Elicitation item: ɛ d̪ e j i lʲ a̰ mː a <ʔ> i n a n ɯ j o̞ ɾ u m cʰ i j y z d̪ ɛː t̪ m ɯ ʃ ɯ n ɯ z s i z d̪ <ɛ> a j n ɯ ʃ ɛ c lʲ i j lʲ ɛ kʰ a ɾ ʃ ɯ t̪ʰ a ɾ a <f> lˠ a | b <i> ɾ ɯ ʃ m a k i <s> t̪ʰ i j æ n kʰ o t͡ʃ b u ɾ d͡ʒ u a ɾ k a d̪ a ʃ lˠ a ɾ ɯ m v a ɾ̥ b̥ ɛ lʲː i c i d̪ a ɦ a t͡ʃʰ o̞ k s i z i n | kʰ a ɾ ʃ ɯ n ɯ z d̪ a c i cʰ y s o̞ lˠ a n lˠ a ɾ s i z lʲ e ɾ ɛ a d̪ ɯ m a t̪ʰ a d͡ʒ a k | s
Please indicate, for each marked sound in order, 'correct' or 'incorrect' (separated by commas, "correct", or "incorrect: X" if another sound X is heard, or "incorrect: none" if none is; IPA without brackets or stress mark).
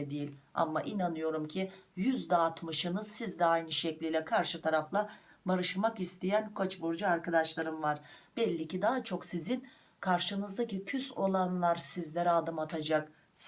correct, correct, correct, incorrect: a, correct